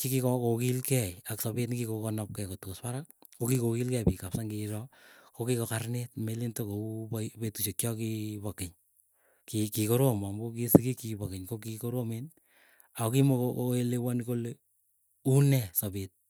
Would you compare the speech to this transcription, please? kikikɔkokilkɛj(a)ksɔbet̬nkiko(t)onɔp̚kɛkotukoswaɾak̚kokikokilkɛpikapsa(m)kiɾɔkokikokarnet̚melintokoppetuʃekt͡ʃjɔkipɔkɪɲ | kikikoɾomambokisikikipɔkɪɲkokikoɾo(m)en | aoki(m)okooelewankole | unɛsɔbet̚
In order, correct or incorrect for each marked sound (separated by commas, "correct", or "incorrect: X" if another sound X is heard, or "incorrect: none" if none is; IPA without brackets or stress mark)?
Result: correct, incorrect: k, incorrect: ŋ, correct, correct